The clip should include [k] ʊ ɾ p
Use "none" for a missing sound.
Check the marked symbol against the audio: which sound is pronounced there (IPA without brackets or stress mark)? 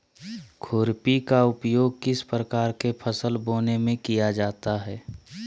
kʰ